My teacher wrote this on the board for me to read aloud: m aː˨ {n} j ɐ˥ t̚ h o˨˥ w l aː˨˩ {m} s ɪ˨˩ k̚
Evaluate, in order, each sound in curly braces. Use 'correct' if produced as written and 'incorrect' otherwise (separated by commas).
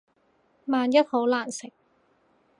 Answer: correct, incorrect